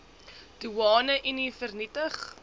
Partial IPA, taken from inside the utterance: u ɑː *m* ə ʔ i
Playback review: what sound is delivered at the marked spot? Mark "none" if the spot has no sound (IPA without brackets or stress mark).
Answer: n